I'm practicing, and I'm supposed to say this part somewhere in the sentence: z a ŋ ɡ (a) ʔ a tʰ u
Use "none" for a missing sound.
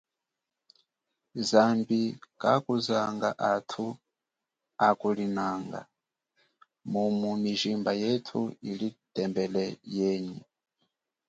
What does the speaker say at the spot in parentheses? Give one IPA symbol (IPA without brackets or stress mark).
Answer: a